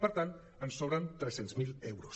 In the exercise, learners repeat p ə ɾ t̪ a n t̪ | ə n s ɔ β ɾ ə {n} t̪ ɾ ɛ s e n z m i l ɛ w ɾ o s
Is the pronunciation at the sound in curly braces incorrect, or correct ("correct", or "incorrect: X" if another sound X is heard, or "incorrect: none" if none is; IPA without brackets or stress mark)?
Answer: correct